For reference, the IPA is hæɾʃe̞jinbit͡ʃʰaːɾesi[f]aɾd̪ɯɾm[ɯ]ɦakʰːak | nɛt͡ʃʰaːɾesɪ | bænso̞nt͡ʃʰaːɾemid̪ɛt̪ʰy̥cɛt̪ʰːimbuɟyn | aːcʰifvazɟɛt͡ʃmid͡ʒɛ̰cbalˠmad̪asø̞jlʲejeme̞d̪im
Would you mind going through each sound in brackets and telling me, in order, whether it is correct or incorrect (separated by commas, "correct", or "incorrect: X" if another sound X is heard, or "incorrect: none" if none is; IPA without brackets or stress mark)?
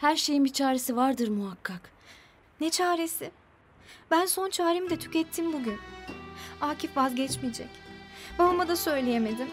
incorrect: v, incorrect: u